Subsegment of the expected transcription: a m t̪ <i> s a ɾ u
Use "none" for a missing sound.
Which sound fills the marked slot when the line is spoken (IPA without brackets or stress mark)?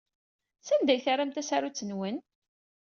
æ